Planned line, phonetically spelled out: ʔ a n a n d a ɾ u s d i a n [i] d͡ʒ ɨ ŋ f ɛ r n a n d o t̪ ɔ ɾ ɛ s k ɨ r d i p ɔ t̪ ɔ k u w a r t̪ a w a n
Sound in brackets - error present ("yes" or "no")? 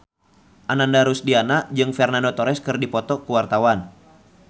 yes